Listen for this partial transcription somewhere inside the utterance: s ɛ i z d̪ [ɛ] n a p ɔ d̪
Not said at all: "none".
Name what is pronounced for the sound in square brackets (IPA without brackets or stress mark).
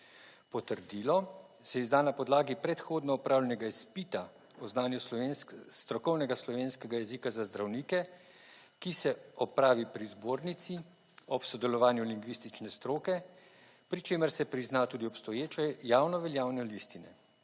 a